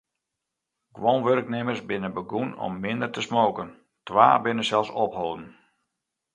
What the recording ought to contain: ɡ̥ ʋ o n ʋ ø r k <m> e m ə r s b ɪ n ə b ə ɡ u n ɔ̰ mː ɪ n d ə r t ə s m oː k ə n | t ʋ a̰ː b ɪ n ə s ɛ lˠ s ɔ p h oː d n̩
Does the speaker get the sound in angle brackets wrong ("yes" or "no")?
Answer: yes